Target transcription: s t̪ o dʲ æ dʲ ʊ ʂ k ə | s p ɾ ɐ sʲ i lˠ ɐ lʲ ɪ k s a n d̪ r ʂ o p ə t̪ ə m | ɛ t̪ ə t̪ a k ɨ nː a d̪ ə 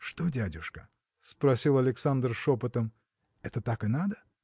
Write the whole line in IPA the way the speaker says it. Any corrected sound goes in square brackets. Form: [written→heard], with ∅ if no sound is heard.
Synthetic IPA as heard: [s→ʂ] t̪ o dʲ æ dʲ ʊ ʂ k ə | s p ɾ ɐ sʲ i lˠ ɐ lʲ ɪ k s a n d̪ r ʂ o p ə t̪ ə m | ɛ t̪ ə t̪ a k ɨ [nː→n] a d̪ ə